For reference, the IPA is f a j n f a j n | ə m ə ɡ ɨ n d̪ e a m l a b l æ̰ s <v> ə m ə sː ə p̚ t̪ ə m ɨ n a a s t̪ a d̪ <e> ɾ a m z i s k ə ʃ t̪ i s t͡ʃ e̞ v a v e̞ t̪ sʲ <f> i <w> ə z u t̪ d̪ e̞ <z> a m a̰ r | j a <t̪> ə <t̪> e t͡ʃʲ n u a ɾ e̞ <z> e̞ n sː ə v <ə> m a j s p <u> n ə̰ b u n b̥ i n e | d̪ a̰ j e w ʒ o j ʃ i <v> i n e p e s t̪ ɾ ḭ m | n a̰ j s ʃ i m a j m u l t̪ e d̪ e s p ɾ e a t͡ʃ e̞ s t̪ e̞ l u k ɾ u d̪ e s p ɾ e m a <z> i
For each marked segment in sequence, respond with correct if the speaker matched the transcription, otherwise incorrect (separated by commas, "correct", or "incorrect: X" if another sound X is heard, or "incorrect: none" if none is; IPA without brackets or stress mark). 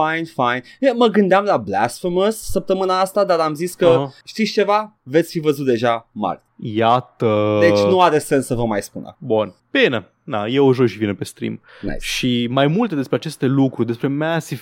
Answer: incorrect: f, incorrect: a, correct, incorrect: v, incorrect: ʒ, correct, incorrect: d̪, incorrect: s, correct, correct, correct, incorrect: s